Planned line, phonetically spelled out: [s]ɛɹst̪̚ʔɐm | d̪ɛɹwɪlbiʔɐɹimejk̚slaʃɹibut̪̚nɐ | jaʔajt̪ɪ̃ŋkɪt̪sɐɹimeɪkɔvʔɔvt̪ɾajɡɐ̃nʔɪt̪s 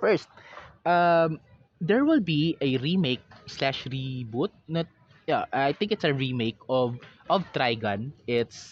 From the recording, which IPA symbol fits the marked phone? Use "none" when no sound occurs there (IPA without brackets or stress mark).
f